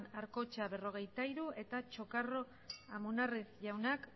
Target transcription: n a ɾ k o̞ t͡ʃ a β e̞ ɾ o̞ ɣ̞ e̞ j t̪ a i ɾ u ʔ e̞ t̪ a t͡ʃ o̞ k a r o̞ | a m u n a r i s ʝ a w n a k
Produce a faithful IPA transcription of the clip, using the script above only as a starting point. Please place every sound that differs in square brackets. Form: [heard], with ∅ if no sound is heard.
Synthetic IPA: n a ɾ k o̞ t͡ʃ a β e̞ [r] o̞ ɣ̞ e̞ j t̪ a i ɾ u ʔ e̞ t̪ a t͡ʃ o̞ k a r o̞ | a m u n a r i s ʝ a w n a k